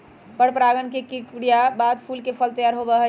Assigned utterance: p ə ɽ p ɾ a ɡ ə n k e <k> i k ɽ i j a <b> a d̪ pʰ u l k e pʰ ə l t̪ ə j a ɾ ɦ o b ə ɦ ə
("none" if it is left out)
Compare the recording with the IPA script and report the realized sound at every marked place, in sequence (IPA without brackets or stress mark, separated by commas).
k, b